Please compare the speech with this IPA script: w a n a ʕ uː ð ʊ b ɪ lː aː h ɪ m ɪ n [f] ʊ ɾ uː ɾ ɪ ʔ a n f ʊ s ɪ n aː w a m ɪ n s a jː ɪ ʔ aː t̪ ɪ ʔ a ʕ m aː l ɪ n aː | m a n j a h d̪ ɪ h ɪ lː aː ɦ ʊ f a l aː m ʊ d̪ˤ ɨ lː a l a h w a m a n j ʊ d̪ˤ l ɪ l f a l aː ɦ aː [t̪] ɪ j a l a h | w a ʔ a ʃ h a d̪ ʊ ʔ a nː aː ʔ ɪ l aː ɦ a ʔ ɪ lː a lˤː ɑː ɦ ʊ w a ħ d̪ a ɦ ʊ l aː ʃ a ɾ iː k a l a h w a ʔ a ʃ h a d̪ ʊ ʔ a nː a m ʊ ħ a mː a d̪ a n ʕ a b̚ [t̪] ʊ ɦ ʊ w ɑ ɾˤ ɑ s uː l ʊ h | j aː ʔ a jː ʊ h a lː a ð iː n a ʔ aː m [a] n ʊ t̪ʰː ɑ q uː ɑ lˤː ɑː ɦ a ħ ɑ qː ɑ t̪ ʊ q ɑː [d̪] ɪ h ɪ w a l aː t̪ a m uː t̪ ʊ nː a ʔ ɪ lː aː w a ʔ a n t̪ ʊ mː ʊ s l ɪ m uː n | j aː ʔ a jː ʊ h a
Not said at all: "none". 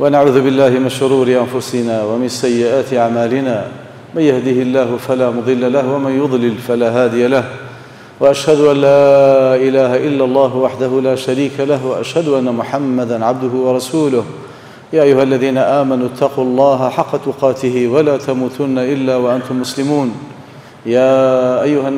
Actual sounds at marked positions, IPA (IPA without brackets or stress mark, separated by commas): ʃ, d̪, d̪, a, t̪